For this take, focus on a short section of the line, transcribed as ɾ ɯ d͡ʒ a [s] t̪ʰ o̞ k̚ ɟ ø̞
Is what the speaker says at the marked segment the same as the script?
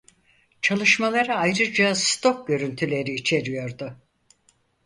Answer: yes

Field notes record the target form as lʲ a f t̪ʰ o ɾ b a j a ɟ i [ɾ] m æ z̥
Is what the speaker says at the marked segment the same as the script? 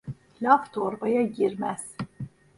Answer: yes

